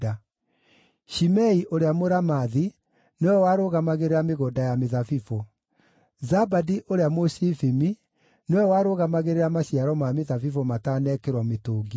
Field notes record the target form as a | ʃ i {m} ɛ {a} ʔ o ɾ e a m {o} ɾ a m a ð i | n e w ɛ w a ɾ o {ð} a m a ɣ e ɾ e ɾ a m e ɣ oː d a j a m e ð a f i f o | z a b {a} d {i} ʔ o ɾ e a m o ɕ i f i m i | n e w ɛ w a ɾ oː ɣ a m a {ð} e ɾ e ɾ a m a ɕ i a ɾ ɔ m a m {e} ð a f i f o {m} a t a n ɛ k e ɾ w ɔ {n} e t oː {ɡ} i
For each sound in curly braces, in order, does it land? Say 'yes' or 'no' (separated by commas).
yes, no, yes, no, yes, yes, no, yes, yes, no, yes